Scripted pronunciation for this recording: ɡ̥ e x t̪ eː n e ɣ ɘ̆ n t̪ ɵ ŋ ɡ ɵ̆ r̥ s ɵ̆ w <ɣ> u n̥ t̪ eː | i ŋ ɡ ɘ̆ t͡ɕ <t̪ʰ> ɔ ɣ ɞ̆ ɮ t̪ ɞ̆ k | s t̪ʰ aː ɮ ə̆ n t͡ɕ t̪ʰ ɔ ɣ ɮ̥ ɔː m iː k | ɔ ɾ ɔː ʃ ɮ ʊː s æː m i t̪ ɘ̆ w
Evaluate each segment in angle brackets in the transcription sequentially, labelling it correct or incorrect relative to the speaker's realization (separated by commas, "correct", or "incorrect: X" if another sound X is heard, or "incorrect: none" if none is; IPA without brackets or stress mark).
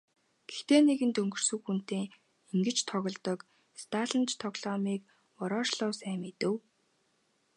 incorrect: x, correct